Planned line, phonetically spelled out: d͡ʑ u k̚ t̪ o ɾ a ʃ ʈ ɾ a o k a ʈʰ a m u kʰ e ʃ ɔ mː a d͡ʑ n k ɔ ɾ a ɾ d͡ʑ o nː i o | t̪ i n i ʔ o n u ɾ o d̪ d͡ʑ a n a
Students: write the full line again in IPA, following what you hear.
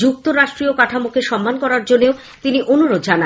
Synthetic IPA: d͡ʑ u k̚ t̪ o ɾ a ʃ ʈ ɾ i o k a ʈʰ a m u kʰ e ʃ ɔ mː a n k ɔ ɾ a ɾ d͡ʑ o nː e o | t̪ i n i ʔ o n u ɾ o d̪ d͡ʑ a n a